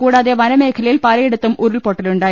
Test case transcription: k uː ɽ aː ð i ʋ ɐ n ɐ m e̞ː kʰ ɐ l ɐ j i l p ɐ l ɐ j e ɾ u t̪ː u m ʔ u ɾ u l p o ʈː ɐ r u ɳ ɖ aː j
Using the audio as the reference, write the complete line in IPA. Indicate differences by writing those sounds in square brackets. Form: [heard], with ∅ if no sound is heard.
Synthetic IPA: k uː ɽ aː ð [e] ʋ ɐ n ɐ m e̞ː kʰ ɐ l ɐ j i l p ɐ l ɐ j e [ɽ] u t̪ː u m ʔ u ɾ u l p o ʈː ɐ [l] u ɳ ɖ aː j